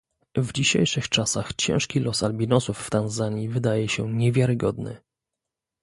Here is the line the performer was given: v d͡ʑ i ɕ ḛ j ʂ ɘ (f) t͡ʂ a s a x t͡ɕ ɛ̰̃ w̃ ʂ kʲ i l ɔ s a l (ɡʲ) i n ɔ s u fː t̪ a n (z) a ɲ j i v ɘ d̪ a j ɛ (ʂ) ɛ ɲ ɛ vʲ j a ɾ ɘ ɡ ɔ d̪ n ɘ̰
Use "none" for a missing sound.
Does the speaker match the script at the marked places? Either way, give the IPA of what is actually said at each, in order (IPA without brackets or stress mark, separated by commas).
x, bʲ, z, ɕ